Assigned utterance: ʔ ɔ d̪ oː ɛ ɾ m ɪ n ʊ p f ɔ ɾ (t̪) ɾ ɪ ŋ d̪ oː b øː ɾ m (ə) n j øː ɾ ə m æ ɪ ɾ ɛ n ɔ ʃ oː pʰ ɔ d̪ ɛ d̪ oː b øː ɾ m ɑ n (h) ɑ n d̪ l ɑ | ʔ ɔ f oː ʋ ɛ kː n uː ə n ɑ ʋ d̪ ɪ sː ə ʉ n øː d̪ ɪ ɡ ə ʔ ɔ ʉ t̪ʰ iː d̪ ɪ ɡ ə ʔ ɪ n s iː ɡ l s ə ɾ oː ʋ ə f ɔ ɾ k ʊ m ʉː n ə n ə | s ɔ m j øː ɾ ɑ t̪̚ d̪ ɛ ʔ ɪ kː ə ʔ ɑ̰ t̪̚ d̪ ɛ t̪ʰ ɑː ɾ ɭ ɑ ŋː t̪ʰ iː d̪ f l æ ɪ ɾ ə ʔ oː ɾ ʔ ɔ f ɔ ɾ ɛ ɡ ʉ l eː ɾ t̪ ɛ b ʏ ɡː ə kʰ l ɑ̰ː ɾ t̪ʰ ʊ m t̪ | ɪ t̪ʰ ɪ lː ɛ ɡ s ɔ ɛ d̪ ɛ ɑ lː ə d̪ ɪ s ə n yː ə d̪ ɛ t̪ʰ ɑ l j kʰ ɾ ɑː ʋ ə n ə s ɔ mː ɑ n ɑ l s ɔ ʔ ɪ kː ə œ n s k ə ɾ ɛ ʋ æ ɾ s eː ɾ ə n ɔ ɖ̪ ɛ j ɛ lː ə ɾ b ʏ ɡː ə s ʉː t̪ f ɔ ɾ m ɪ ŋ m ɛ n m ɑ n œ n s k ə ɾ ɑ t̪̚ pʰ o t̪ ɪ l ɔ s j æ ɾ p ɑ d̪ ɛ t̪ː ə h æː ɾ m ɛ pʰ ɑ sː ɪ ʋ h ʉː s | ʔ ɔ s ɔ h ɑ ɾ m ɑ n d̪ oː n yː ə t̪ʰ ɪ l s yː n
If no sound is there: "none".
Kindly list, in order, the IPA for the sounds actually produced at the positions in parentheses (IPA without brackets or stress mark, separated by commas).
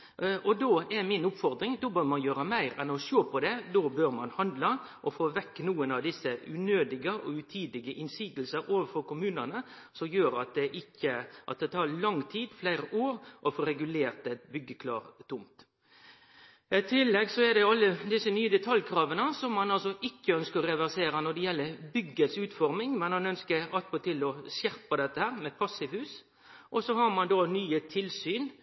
d̪, ɑ, h